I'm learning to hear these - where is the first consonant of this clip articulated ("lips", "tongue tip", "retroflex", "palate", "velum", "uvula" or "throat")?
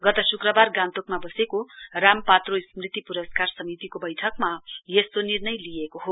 velum